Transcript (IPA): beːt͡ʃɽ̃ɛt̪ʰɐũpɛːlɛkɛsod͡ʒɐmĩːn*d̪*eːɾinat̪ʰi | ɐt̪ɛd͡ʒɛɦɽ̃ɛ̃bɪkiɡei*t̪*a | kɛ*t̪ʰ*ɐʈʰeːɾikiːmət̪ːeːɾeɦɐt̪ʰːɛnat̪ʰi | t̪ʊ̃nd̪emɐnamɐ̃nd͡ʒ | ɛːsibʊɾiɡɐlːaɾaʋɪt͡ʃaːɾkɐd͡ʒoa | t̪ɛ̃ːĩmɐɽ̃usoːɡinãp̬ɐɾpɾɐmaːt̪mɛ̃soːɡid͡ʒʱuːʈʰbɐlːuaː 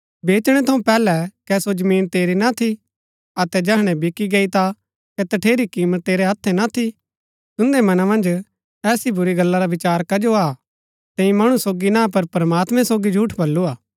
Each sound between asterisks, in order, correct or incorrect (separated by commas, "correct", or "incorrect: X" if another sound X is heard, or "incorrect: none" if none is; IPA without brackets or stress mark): incorrect: t̪, correct, incorrect: t̪